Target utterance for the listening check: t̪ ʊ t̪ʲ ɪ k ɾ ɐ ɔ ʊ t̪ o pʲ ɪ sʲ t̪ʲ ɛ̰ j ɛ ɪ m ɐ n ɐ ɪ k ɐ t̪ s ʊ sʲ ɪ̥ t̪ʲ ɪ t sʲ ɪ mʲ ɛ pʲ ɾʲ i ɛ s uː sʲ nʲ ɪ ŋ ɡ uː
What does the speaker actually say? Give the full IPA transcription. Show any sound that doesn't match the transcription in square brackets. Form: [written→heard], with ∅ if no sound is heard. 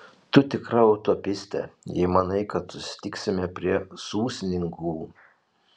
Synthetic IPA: t̪ ʊ t̪ʲ ɪ k ɾ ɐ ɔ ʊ t̪ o pʲ ɪ sʲ t̪ʲ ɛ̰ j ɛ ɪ m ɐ n ɐ ɪ k ɐ t̪ s ʊ sʲ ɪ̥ t̪ʲ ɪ [t→k] sʲ ɪ mʲ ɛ pʲ ɾʲ i ɛ s uː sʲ nʲ ɪ ŋ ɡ uː